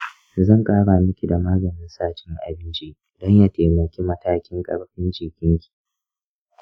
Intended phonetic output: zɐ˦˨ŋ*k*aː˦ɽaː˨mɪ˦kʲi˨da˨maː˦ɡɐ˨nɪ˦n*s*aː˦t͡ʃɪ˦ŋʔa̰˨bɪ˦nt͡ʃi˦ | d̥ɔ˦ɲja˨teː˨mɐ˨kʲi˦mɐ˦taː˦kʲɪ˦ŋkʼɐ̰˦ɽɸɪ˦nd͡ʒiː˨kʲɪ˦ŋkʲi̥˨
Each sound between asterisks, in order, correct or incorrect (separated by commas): incorrect, correct